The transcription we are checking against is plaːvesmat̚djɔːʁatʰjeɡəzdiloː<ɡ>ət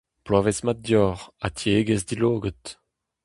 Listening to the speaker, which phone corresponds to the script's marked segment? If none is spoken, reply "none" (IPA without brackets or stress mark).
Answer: ɡ